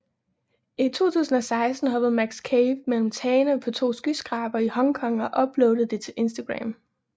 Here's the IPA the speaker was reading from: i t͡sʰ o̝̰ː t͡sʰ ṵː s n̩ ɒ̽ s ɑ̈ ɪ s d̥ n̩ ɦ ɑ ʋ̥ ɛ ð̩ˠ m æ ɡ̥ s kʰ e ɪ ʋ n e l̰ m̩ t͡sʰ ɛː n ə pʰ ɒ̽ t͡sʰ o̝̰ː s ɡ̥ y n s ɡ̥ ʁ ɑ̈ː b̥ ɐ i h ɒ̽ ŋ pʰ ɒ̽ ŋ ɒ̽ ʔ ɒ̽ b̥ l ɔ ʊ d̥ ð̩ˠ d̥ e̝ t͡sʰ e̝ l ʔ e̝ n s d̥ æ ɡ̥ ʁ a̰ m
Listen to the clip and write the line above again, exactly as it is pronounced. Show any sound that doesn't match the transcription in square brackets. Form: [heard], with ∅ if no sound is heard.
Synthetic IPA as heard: i t͡sʰ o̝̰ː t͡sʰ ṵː s n̩ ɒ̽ s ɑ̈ ɪ s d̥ n̩ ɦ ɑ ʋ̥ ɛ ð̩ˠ m æ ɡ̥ s kʰ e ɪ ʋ [m] e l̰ m̩ t͡sʰ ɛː n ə pʰ ɒ̽ t͡sʰ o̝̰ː s ɡ̥ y [∅] s ɡ̥ ʁ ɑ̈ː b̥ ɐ i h ɒ̽ ŋ [kʰ] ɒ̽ ŋ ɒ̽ ʔ ɒ̽ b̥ l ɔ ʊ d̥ ð̩ˠ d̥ e̝ t͡sʰ e̝ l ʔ e̝ n s d̥ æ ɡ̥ ʁ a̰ m